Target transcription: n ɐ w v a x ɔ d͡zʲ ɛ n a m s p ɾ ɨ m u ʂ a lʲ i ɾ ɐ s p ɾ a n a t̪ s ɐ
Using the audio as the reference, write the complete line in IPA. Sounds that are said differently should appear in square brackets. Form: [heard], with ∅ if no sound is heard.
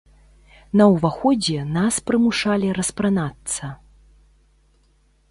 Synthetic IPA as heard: n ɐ w v a x ɔ d͡zʲ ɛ n a [∅] s p ɾ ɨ m u ʂ a lʲ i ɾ ɐ s p ɾ a n a t̪ s ɐ